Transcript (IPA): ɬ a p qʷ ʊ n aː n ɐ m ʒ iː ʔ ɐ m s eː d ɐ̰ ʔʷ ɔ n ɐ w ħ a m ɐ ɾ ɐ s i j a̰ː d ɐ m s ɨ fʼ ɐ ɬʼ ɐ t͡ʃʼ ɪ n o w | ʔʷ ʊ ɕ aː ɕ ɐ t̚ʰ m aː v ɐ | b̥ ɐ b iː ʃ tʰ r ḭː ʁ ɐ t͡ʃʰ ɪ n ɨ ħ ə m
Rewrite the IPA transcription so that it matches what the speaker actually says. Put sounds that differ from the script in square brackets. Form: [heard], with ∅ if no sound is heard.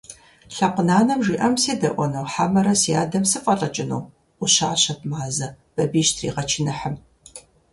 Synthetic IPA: ɬ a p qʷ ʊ n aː n ɐ m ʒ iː ʔ ɐ m s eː d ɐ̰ ʔʷ ɔ n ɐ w ħ a m ɐ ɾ ɐ s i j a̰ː d ɐ m s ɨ fʼ ɐ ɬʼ ɐ t͡ʃʼ ɪ n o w | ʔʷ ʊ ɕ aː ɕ ɐ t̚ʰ m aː [z] ɐ | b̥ ɐ b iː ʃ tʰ r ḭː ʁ ɐ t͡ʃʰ ɪ n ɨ ħ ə m